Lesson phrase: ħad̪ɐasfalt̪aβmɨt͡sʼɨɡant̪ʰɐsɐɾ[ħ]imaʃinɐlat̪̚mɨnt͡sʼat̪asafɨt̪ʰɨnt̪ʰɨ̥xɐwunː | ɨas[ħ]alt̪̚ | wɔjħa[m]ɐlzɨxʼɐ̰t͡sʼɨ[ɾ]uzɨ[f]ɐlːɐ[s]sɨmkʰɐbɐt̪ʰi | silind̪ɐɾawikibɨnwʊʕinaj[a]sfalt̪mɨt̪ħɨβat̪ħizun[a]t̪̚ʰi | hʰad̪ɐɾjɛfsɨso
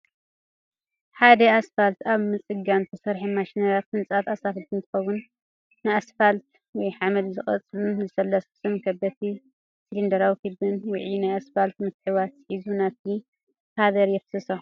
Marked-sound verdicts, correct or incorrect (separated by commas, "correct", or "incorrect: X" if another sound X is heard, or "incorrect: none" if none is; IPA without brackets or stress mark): correct, incorrect: f, correct, incorrect: l, incorrect: s, correct, correct, correct